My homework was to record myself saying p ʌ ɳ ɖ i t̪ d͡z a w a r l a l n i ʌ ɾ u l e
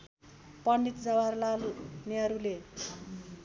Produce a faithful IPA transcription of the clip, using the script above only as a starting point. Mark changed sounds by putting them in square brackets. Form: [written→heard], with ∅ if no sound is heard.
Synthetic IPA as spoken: p ʌ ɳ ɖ i t̪ d͡z [a→ʌ] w a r l a l n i ʌ ɾ u l e